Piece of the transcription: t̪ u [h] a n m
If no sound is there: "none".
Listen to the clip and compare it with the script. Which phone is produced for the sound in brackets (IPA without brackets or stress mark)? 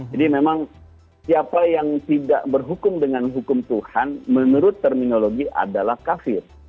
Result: h